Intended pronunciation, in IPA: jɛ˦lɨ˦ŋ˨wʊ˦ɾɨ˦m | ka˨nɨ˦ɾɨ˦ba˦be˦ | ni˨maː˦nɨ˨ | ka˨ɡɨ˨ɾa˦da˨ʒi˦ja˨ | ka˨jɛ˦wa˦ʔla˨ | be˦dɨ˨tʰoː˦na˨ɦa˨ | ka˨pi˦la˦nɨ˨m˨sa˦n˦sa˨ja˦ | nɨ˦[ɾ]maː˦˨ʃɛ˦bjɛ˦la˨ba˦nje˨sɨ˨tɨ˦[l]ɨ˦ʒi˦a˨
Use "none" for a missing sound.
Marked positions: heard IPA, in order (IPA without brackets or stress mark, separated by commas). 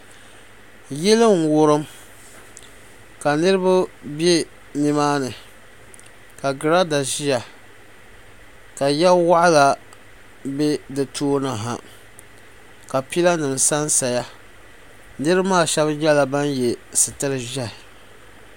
ɾ, ɾ